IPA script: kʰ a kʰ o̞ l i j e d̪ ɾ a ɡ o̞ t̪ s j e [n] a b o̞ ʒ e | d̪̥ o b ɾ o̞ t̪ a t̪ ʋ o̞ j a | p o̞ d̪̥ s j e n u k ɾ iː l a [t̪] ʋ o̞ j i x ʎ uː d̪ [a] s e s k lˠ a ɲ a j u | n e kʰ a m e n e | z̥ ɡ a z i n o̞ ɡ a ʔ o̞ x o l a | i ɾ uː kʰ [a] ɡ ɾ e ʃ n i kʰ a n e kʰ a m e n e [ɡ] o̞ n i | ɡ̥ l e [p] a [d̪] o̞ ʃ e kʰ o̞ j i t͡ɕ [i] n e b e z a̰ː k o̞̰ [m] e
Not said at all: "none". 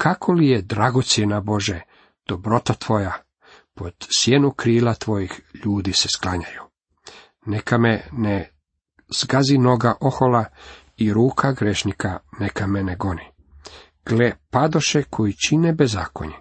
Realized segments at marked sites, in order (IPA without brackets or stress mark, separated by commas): n, t̪, i, a, ɡ, p, d̪, i, ɲ